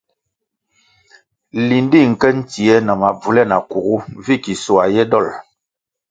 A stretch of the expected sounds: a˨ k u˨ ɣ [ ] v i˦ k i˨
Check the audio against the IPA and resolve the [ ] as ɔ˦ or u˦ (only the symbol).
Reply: u˦